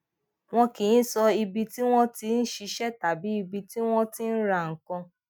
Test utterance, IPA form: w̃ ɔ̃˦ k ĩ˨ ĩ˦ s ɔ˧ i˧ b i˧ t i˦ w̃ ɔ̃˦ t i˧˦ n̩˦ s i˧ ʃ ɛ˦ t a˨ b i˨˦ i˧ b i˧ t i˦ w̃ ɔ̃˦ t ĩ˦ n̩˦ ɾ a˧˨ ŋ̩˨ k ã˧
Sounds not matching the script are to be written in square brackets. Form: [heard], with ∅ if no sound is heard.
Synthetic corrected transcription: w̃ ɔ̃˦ k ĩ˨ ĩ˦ s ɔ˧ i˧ b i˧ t i˦ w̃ ɔ̃˦ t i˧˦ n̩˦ [ʃ] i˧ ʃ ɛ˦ t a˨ b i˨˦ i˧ b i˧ t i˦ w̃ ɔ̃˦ t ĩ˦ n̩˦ ɾ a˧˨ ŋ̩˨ k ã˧